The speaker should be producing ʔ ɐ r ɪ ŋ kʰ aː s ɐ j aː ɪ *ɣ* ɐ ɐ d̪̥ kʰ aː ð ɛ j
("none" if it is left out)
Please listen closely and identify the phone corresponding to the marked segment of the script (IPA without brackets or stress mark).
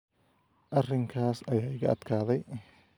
ɣ